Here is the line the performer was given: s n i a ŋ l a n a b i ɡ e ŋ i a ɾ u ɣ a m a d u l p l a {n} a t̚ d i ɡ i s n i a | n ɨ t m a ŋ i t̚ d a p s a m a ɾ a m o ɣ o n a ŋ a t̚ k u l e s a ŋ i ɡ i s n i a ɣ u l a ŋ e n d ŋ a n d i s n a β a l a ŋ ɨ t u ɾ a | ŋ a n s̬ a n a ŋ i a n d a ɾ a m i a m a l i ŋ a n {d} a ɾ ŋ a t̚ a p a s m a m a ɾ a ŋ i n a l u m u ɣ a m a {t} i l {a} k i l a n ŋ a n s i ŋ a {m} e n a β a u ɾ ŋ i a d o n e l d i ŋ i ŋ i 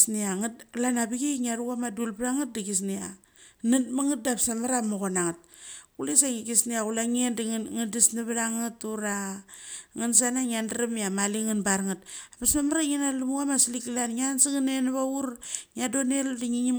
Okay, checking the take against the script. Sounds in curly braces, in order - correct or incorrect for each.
incorrect, incorrect, incorrect, incorrect, incorrect

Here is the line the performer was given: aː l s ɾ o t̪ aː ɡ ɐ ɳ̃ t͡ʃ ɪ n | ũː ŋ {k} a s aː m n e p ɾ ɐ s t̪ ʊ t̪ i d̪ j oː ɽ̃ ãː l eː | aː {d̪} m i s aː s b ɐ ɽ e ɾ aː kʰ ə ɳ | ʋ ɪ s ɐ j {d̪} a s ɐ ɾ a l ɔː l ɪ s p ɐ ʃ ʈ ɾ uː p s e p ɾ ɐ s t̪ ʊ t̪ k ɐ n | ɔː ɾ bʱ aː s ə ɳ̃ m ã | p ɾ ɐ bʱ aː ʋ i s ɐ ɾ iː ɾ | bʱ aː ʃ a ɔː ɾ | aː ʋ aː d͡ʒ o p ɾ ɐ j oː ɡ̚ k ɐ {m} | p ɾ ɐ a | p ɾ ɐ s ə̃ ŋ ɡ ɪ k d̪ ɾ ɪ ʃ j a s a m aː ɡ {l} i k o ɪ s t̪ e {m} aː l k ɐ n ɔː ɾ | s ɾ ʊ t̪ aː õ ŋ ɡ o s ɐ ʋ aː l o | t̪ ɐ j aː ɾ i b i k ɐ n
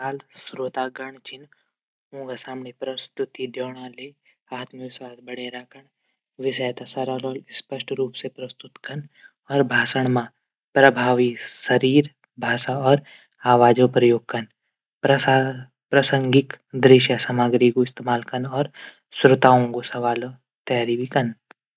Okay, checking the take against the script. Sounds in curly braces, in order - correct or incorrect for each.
incorrect, incorrect, incorrect, incorrect, incorrect, correct

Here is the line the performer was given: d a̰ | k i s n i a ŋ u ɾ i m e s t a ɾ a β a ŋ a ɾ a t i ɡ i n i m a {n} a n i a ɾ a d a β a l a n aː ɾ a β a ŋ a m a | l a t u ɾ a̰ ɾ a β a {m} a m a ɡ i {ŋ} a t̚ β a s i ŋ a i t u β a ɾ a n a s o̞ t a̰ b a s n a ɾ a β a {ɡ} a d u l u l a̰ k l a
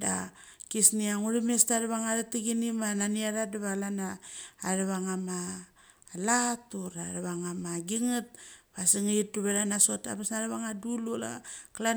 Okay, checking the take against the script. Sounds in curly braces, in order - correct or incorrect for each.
correct, incorrect, correct, incorrect

